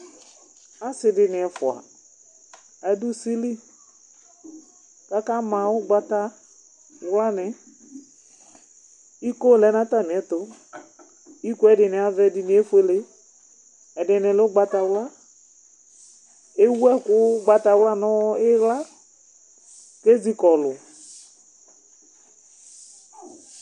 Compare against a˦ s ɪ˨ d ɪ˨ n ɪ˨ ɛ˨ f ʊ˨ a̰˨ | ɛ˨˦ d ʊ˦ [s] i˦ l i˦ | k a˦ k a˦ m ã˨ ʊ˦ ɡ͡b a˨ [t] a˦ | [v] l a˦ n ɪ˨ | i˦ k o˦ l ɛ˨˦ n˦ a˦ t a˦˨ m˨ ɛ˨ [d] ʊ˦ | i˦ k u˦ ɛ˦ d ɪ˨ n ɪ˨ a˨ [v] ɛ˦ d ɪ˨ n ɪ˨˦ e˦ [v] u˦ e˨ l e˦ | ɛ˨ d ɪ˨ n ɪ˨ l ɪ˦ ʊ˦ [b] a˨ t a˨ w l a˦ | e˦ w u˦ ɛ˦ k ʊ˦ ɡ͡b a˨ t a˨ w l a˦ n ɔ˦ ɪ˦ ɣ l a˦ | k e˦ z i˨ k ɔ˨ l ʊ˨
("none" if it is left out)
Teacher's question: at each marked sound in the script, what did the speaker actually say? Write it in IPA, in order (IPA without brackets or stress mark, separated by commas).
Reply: s, t, w, t, v, f, ɡ͡b